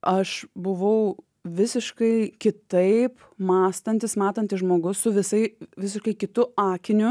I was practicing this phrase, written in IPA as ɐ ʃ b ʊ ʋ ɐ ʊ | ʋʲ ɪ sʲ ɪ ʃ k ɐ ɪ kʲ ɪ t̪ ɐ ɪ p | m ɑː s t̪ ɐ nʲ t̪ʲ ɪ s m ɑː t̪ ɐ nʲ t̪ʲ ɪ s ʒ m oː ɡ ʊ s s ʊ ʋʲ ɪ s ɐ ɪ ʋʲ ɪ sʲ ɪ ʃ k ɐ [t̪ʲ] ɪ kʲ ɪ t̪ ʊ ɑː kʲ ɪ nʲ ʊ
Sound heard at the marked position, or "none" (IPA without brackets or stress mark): none